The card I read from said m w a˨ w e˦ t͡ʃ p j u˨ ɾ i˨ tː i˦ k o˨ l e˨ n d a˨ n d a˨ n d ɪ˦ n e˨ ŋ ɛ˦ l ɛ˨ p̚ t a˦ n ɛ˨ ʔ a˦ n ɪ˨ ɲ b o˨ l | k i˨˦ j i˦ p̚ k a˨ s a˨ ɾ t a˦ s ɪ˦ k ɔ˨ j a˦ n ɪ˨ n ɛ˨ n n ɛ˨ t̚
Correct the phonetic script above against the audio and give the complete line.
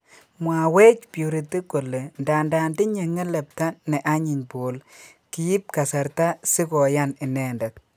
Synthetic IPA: m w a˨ w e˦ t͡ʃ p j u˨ ɾ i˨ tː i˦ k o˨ l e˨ n d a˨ n d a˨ n d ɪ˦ ɲ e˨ ŋ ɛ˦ l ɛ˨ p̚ t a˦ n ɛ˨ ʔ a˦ ɲ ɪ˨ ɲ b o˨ l | k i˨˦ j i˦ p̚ k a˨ s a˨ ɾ t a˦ s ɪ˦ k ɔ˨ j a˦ n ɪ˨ n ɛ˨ n d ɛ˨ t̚